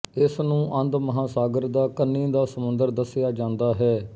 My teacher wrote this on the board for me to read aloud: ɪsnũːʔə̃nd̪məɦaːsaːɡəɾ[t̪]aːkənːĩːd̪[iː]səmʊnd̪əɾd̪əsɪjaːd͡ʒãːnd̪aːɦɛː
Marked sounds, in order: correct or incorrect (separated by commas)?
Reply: incorrect, incorrect